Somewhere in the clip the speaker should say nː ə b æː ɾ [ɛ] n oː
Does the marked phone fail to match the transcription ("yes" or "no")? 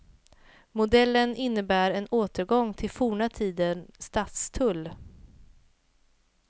no